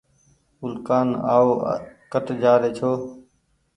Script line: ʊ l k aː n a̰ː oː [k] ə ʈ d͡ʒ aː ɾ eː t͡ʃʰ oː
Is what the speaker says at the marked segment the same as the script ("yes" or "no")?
yes